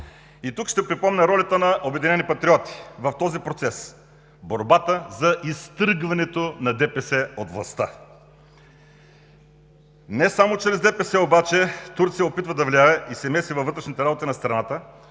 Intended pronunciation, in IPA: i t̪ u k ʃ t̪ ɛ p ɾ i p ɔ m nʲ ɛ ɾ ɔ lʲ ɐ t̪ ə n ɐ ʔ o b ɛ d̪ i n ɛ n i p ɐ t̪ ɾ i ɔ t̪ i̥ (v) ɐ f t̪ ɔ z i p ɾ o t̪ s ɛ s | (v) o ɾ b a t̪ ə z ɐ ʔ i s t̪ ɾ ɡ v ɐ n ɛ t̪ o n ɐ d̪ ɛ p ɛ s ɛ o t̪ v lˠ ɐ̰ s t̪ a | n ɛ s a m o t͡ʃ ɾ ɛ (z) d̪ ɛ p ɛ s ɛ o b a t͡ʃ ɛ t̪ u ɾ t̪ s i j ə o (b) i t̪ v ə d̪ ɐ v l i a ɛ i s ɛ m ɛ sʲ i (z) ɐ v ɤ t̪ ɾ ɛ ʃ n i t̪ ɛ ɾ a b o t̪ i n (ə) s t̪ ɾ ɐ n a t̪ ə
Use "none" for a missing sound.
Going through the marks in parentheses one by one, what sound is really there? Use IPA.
v, b, z, p, v, ɐ

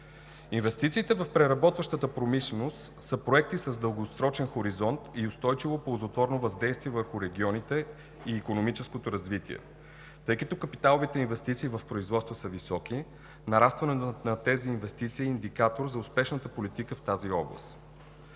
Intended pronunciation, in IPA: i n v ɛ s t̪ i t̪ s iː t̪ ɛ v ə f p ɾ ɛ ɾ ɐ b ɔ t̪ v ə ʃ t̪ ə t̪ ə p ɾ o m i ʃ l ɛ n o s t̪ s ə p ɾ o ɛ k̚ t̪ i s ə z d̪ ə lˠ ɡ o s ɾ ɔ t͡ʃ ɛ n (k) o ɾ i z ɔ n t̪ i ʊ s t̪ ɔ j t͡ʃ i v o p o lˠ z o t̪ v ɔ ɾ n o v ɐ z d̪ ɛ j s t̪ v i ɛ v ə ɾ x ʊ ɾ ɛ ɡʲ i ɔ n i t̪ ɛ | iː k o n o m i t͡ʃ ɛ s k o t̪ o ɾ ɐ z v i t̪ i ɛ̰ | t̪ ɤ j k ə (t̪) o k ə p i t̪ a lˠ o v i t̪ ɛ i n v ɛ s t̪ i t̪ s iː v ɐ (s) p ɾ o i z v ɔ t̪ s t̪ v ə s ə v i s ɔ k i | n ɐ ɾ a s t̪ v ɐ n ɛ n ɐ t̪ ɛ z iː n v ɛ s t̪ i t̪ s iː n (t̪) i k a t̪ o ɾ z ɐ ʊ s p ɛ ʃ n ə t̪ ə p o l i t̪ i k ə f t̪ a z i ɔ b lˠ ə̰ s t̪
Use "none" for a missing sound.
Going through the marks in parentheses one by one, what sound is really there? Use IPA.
x, t̪, f, d̪

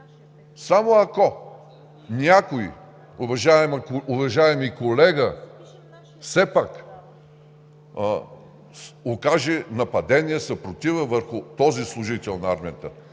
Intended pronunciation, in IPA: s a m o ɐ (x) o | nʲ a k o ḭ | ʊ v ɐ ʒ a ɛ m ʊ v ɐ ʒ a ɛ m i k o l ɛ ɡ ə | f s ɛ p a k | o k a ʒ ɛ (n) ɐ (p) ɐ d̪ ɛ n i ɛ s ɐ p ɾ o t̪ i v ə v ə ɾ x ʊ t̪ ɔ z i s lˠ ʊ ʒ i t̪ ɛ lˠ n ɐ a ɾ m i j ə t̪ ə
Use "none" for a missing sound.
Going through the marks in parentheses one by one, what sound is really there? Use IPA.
k, n, p

